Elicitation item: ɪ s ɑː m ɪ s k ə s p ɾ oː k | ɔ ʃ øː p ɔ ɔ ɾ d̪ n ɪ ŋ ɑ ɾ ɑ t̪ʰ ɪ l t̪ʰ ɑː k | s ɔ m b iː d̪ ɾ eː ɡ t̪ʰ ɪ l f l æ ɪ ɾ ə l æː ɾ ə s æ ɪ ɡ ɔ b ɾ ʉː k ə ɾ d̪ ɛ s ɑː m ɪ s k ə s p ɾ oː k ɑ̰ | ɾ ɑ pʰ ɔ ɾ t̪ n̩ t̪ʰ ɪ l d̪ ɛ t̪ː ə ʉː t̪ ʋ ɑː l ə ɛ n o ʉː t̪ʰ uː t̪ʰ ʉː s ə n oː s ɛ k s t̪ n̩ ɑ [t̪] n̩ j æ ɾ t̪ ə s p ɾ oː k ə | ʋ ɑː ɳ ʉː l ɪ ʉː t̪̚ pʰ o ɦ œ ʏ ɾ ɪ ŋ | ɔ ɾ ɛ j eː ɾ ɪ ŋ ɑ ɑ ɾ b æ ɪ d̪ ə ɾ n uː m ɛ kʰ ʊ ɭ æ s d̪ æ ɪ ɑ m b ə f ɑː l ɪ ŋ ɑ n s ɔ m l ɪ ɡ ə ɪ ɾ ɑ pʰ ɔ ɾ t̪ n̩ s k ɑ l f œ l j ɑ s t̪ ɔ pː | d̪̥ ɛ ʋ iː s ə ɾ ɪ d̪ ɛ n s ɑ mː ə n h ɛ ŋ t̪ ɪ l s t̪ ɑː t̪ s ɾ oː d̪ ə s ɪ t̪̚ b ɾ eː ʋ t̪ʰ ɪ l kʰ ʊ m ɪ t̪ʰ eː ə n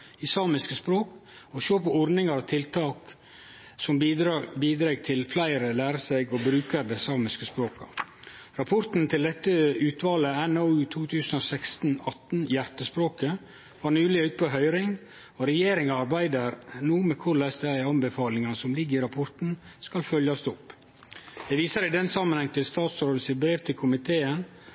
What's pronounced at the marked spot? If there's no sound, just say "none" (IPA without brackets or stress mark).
t̪